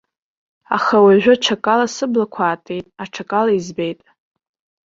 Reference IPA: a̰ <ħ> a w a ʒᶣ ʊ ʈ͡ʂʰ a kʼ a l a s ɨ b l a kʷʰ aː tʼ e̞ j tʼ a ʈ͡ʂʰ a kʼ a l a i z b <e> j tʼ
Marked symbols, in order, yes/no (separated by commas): no, yes